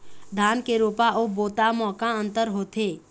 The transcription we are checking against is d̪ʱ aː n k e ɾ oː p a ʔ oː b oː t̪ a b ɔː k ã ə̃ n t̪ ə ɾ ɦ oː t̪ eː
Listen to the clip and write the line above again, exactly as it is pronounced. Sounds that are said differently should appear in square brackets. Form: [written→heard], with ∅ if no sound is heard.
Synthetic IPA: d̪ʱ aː n k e ɾ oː p a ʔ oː b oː t̪ a [b→m] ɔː k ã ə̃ n t̪ ə ɾ ɦ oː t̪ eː